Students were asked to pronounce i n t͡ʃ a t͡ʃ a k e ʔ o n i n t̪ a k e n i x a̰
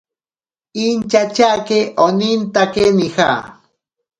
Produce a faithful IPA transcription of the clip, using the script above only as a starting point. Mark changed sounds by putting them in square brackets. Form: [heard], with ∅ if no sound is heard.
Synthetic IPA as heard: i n t͡ʃ a t͡ʃ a k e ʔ o n i n t̪ a k e n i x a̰